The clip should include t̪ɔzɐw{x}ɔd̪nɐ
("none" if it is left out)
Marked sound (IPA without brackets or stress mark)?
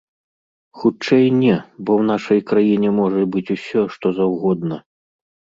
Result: ɣ